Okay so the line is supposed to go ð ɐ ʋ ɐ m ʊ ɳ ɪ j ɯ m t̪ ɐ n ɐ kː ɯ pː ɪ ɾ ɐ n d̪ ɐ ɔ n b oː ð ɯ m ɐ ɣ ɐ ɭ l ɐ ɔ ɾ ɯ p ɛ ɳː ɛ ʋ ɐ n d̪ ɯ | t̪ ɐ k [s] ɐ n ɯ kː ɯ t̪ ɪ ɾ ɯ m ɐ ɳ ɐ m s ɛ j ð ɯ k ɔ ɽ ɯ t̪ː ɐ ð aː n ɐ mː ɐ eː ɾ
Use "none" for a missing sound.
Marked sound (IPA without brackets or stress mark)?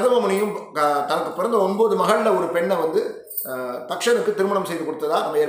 ʂ